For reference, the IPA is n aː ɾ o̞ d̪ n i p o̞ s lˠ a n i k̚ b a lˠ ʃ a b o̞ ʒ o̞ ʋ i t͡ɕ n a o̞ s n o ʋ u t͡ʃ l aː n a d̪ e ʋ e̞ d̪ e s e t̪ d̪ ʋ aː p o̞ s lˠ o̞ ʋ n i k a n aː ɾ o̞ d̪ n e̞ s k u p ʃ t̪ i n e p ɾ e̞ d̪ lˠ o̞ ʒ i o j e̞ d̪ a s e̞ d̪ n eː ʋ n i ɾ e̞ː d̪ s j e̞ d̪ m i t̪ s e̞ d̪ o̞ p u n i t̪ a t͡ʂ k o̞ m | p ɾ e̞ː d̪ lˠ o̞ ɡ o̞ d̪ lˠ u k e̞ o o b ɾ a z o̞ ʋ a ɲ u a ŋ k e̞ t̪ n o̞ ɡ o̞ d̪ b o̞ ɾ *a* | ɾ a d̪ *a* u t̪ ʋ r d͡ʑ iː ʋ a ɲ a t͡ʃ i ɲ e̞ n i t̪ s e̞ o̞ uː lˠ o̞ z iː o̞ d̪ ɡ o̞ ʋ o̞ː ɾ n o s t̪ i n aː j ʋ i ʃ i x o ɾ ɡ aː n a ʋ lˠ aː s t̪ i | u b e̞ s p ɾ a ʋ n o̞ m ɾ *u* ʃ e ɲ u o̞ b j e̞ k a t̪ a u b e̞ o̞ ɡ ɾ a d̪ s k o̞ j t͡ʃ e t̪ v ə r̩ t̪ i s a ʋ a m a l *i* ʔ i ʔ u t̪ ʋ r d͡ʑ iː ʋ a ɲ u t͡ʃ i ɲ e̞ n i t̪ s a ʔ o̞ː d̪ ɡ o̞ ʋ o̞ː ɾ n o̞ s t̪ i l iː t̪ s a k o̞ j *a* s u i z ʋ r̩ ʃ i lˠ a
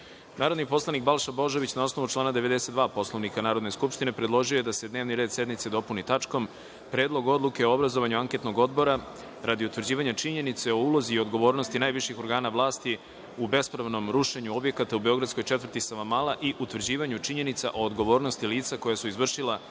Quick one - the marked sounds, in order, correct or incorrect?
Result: correct, incorrect: i, correct, incorrect: a, correct

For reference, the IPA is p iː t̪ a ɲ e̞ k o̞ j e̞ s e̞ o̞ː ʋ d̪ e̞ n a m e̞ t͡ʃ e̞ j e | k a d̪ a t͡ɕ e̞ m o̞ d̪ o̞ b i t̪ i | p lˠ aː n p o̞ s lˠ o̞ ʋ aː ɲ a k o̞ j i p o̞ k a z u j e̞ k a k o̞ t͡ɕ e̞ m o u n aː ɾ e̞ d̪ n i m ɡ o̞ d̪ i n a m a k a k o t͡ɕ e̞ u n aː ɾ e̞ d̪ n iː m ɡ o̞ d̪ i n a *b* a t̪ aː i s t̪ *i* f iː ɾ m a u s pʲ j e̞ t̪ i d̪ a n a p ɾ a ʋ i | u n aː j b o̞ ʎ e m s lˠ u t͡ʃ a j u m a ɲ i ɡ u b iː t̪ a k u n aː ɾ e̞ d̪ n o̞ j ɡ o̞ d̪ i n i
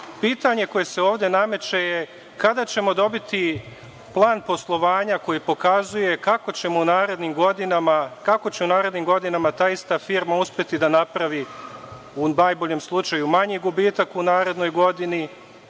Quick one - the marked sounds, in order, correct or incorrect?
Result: incorrect: m, incorrect: a

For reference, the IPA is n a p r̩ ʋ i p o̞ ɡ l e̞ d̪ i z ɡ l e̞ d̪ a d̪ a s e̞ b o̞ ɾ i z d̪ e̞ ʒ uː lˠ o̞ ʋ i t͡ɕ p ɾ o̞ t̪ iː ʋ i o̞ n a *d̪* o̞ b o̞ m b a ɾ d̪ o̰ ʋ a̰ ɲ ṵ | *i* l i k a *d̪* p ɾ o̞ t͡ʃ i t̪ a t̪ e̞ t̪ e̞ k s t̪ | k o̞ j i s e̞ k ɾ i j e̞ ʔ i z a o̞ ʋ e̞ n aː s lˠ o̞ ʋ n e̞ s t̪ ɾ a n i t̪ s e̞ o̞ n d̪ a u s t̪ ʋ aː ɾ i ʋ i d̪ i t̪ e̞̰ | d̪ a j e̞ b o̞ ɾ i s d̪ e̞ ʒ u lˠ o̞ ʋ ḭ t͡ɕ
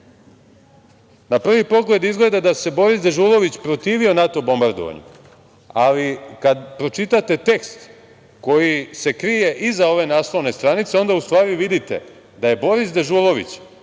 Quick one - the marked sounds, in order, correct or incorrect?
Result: incorrect: t̪, incorrect: a, correct

